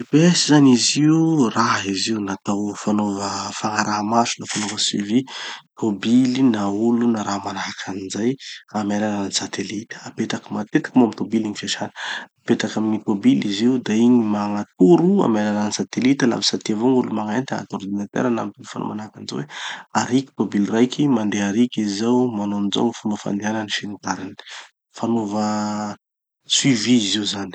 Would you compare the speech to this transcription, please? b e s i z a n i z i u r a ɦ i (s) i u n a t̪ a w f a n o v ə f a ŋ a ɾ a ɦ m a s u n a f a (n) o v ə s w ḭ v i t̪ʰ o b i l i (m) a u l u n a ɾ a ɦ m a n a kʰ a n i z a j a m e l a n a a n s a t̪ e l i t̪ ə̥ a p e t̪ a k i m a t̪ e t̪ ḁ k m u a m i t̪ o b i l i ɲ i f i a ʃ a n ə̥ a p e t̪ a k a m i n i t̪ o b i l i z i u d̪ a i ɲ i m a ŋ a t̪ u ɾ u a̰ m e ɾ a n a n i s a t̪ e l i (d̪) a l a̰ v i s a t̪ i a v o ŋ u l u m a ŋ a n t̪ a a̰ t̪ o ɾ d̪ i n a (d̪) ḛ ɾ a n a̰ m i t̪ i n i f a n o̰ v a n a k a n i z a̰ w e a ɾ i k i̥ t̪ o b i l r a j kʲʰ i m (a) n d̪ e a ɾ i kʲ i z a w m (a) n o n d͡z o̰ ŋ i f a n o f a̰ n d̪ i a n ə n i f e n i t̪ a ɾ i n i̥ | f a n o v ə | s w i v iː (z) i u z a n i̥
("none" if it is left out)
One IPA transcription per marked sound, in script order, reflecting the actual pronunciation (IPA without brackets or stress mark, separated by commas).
z, n, n, t̪, t̪, a, a, z